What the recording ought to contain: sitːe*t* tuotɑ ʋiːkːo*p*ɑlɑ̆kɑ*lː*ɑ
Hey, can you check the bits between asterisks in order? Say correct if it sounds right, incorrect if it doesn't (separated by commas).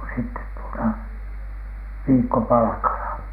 correct, correct, incorrect